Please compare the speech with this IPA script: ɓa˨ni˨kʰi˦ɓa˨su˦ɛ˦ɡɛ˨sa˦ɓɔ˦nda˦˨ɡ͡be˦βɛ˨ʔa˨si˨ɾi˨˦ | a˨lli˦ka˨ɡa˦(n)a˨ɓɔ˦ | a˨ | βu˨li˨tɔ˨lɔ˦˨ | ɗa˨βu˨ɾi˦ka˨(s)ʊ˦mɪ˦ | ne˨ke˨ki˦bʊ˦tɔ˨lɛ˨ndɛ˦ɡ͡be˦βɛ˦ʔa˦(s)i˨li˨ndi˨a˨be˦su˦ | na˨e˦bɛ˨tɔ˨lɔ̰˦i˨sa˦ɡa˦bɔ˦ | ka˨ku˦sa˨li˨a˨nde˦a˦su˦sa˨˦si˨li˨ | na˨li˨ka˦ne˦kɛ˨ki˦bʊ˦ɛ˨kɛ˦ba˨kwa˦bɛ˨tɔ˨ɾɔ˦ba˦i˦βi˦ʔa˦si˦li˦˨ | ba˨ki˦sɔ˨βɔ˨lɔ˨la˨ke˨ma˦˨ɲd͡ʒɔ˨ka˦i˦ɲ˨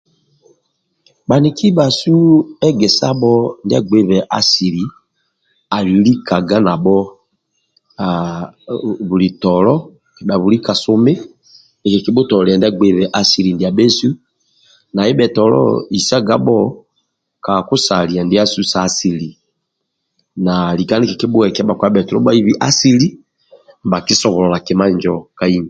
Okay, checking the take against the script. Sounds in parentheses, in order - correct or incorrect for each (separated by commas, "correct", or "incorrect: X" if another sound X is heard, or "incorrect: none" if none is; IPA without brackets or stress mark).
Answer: correct, correct, correct